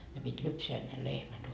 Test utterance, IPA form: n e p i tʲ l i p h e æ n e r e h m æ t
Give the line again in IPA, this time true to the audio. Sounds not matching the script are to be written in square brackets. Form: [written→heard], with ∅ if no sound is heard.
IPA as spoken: n e p i tʲ l [i→y] p [h→s] e æ n e [r→l] e h m æ t